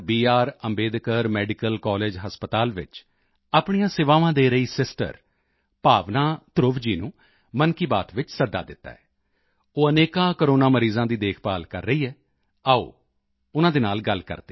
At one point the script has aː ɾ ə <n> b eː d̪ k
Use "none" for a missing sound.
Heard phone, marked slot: m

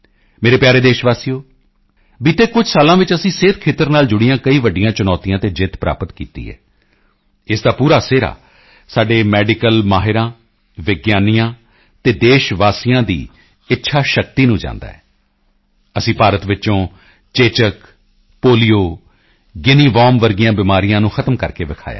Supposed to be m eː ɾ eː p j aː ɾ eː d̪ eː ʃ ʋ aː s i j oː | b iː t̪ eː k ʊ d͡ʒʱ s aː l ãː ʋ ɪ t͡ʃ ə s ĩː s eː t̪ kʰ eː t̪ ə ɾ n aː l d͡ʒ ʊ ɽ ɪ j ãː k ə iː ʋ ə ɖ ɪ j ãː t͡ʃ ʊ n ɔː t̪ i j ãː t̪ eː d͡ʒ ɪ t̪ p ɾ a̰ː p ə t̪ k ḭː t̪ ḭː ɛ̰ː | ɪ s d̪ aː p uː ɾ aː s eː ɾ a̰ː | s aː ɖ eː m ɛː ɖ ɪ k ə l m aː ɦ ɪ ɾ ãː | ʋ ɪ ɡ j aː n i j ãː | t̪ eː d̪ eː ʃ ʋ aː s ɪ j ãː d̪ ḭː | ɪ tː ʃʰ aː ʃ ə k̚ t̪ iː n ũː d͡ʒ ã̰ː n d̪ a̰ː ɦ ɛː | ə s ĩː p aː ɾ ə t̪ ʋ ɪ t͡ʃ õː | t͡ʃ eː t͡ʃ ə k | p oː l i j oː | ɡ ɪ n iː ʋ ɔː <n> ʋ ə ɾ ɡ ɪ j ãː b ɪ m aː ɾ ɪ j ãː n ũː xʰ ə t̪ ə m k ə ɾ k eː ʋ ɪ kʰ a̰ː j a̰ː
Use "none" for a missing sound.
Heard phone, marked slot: m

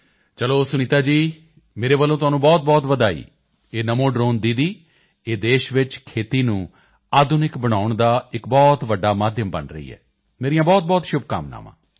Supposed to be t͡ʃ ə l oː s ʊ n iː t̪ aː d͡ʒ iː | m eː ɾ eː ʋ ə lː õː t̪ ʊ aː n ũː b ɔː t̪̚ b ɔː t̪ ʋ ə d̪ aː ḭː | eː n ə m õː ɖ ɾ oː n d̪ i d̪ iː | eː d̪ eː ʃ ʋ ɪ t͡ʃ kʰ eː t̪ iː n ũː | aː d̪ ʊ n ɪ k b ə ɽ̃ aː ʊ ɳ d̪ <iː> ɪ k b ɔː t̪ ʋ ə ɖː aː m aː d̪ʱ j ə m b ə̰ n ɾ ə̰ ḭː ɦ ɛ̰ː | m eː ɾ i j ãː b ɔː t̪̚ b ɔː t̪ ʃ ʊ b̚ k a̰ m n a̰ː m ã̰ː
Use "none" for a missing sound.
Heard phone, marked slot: aː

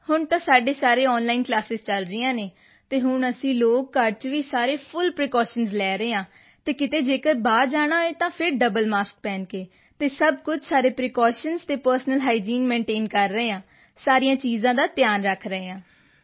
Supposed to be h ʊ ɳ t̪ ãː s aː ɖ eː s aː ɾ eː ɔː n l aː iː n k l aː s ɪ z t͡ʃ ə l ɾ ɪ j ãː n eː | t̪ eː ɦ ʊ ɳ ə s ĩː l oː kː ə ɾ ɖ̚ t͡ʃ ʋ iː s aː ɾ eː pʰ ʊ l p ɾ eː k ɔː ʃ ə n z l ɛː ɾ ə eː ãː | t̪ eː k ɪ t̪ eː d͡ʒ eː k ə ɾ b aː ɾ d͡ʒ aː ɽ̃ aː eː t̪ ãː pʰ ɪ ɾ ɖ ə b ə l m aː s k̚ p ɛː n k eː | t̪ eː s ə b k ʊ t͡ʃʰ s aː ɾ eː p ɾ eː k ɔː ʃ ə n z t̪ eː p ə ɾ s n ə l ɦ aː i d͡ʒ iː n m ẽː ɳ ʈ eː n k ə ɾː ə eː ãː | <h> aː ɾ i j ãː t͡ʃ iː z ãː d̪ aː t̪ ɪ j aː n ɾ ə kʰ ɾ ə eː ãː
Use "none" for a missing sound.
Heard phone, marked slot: s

